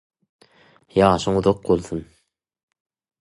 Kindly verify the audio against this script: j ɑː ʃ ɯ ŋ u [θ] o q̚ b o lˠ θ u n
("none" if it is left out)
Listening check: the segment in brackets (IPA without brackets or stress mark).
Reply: ð